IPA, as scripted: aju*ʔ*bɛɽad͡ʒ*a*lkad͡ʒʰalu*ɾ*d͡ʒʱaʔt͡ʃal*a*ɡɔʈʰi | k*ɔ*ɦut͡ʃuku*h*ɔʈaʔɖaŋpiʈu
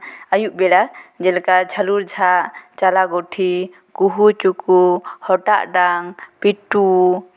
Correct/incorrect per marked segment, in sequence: correct, incorrect, correct, correct, incorrect, correct

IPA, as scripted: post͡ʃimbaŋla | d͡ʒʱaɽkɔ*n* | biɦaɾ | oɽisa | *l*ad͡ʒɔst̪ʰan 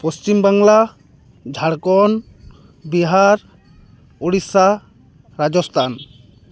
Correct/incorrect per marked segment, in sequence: correct, incorrect

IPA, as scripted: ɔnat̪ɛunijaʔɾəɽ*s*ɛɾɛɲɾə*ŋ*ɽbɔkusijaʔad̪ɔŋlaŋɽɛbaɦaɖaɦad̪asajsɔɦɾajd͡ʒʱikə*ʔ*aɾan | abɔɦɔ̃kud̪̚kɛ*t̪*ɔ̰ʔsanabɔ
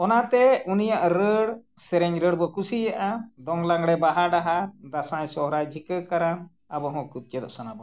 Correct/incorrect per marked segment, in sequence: correct, incorrect, incorrect, incorrect

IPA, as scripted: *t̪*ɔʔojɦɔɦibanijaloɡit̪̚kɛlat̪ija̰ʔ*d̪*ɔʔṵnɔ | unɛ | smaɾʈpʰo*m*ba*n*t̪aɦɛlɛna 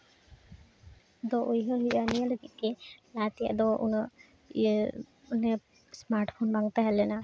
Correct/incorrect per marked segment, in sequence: incorrect, correct, incorrect, incorrect

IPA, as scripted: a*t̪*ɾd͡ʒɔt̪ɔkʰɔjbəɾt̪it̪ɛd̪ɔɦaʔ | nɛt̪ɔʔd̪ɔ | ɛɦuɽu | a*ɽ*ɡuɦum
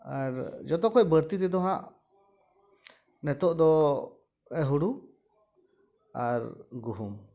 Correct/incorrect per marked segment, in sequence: incorrect, incorrect

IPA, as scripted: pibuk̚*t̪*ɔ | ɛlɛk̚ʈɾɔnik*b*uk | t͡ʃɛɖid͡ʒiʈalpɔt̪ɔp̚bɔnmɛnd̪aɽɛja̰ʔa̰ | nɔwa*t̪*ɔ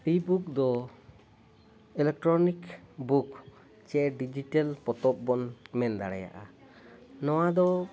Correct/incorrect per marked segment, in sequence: incorrect, correct, incorrect

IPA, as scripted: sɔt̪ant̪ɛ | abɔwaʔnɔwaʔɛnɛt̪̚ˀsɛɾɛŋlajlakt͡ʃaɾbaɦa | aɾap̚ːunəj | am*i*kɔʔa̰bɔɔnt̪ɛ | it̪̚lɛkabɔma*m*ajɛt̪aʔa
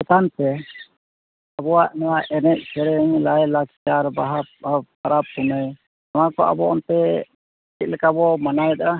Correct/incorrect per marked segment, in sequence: incorrect, incorrect

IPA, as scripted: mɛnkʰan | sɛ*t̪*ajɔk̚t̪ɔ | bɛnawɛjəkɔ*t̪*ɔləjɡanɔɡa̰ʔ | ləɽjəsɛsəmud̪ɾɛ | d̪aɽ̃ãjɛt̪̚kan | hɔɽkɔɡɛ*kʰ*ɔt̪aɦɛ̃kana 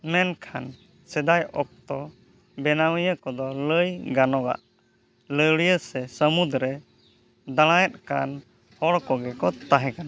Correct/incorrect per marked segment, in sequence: incorrect, incorrect, incorrect

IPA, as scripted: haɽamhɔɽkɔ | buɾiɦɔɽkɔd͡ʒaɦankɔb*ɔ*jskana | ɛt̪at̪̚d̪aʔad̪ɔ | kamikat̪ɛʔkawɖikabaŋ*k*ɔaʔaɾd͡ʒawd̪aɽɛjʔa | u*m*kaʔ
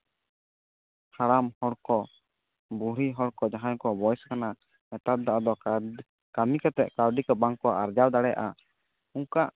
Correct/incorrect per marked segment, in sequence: correct, correct, incorrect

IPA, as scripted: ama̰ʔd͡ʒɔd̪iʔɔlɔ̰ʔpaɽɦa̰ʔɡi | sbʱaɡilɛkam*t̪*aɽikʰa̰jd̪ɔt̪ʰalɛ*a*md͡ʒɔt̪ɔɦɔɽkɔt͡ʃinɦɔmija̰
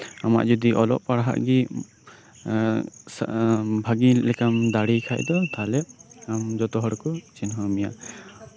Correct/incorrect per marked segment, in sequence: incorrect, correct

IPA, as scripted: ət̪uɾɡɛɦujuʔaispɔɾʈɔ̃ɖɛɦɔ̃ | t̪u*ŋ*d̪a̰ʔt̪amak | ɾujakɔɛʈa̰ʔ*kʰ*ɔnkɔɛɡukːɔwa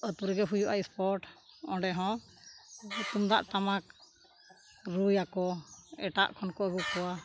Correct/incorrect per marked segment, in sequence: incorrect, correct

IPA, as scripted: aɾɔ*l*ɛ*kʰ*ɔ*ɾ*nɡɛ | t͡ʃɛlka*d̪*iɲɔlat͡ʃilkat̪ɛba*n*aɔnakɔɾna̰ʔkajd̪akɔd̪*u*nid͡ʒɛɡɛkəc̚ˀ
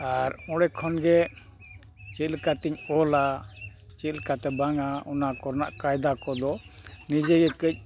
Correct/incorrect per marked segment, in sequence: incorrect, correct, incorrect, incorrect, incorrect, incorrect

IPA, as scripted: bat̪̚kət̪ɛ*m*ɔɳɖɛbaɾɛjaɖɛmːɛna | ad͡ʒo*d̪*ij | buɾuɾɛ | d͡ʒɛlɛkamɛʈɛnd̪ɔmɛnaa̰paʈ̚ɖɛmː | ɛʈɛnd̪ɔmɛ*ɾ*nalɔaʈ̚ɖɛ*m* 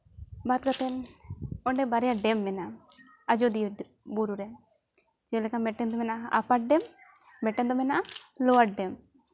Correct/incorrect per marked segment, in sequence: incorrect, correct, incorrect, correct

